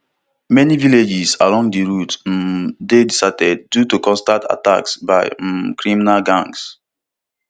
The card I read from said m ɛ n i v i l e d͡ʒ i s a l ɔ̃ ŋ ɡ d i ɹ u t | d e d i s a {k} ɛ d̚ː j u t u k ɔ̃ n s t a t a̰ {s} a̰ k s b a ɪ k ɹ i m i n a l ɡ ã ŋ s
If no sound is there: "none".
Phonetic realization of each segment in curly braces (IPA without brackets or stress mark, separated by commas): t, t